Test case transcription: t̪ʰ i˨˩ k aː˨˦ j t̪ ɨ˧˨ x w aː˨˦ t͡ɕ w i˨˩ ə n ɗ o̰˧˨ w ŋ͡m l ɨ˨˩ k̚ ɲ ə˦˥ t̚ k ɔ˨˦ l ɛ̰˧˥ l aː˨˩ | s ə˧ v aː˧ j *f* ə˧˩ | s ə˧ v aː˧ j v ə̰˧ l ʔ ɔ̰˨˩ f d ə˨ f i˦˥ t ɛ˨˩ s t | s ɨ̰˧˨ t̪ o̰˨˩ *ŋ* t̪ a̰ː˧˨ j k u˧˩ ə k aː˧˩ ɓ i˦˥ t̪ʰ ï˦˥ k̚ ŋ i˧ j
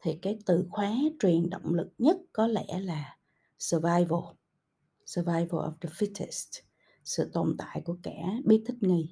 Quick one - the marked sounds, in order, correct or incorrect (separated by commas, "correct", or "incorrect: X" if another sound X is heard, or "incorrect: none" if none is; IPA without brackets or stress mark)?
incorrect: v, incorrect: n